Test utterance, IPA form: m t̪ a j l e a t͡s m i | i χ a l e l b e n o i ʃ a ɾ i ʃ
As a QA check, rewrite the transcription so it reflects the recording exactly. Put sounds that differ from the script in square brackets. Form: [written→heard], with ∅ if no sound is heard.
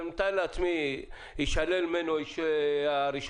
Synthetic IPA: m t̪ a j l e a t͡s m i | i [χ→ʃ] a l e l [b→m] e n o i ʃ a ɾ i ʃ